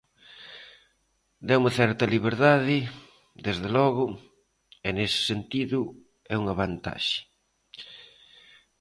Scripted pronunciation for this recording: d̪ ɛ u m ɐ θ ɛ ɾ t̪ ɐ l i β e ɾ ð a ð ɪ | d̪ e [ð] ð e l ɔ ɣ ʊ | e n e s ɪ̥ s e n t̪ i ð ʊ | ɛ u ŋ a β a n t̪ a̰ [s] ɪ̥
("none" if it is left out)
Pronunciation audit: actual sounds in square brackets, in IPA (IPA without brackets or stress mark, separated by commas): z, ʃ